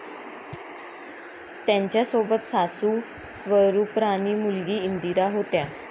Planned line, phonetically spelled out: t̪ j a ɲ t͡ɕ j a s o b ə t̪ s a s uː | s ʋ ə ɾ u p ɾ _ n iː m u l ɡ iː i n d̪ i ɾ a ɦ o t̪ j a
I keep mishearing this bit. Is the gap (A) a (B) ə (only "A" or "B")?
A